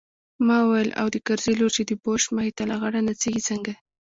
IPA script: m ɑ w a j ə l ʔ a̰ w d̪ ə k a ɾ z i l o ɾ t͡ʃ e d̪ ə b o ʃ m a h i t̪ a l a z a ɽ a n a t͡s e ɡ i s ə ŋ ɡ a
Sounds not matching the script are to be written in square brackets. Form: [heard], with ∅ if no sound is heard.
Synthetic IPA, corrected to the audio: m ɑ w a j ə l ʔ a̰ w d̪ ə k a ɾ z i l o ɾ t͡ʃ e d̪ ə b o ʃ m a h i t̪ a l a [ɣ] a ɽ a n a t͡s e ɡ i [t͡s] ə ŋ ɡ a